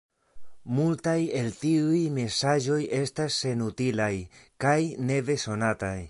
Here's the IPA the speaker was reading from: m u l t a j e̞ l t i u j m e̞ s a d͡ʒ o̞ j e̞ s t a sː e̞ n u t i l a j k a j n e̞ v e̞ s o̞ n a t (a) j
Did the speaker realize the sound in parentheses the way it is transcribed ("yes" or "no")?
yes